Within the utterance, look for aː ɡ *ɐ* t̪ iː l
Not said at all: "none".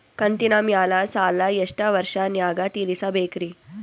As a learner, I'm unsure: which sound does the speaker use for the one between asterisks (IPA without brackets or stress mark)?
a